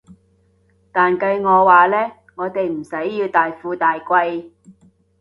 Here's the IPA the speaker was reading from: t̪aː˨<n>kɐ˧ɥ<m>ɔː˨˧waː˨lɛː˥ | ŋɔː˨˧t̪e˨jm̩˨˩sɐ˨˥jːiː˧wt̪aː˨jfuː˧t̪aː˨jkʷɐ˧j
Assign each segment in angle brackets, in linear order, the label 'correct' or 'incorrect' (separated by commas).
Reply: correct, incorrect